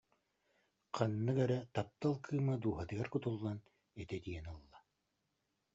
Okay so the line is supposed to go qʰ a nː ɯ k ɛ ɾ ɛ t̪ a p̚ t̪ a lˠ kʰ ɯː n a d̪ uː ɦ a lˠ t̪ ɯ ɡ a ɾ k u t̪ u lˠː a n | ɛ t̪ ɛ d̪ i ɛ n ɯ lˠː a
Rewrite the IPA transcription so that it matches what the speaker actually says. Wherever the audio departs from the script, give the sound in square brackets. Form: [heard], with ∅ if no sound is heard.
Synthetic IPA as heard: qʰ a nː ɯ k ɛ ɾ ɛ t̪ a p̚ t̪ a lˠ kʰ ɯː [m] a d̪ uː ɦ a [∅] t̪ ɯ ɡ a ɾ k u t̪ u lˠː a n | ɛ t̪ ɛ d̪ i ɛ n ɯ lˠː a